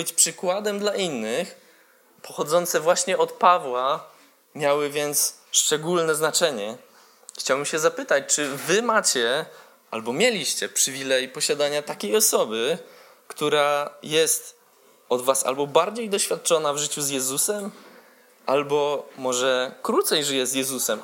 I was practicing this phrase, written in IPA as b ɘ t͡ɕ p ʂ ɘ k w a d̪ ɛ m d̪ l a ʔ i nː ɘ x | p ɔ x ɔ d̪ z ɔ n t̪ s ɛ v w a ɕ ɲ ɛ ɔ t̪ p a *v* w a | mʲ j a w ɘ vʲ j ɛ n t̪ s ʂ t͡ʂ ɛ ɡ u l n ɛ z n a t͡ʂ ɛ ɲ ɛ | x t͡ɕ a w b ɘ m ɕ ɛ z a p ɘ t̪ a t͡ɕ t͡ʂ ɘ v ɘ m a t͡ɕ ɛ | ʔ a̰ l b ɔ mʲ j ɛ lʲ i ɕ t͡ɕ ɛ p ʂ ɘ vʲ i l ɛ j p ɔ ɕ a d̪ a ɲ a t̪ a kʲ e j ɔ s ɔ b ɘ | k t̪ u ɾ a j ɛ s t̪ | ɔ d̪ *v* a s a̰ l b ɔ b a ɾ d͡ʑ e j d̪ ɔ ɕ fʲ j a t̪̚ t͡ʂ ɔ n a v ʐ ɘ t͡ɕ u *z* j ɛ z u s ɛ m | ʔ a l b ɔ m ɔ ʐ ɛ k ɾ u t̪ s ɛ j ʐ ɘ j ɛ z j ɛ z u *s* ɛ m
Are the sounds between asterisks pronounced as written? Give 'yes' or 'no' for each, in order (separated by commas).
yes, yes, yes, yes